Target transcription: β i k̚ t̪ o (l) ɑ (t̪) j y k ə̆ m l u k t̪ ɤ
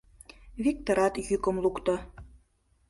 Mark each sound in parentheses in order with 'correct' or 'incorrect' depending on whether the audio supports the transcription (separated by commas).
incorrect, correct